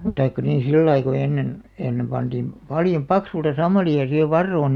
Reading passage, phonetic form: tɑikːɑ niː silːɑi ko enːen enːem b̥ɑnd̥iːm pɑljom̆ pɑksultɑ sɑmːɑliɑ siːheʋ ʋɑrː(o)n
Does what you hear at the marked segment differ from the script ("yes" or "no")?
yes